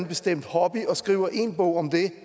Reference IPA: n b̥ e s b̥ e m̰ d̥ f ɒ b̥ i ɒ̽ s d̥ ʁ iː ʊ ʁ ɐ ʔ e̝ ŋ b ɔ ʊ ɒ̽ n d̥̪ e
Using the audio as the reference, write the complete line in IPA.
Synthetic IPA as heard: n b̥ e s d̥ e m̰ d̥ h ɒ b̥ i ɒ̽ s ɡ̥ ʁ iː ʊ ɐ ʔ e̝ n b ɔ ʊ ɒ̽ m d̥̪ e